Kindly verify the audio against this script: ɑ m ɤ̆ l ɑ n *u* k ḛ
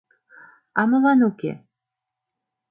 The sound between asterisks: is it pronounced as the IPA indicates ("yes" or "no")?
yes